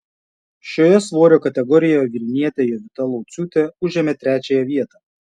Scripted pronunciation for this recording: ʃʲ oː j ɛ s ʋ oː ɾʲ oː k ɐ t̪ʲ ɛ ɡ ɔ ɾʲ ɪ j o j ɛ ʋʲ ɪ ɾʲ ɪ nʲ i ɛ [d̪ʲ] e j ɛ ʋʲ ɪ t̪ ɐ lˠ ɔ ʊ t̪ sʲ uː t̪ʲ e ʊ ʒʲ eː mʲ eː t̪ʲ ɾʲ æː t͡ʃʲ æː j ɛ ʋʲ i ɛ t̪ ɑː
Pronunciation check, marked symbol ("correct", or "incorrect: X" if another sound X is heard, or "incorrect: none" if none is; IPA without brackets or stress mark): incorrect: t̪ʲ